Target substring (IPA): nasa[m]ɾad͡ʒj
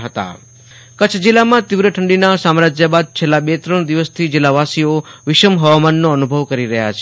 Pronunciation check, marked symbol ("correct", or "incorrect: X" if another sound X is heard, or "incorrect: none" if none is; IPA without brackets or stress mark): correct